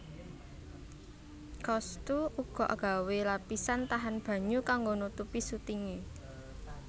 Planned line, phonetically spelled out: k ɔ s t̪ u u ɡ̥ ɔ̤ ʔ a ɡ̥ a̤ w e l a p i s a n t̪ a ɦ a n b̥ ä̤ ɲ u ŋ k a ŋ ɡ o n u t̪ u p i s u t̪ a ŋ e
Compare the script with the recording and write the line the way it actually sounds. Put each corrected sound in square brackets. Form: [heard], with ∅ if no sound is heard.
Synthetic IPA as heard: k ɔ s t̪ u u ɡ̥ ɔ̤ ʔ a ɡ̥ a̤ w e l a p i s a n t̪ a ɦ a n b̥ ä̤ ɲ u [∅] k a ŋ ɡ o n u t̪ u p i s u t̪ [i] ŋ e